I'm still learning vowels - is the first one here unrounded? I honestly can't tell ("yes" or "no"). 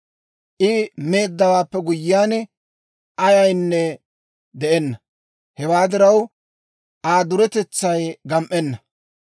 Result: yes